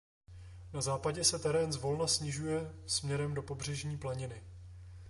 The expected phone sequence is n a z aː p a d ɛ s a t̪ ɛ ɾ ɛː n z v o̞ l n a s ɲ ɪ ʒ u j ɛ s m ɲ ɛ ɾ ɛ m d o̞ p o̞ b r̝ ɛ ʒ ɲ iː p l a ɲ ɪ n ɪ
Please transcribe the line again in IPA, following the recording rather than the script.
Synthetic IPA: n a z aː p a ɟ ɛ s ɛ t̪ ɛ ɾ ɛː n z v o̞ l n a s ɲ ɪ ʒ u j ɛ s m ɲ ɛ ɾ ɛ m d o̞ p o̞ b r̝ ɛ ʒ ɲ iː p l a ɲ ɪ n ɪ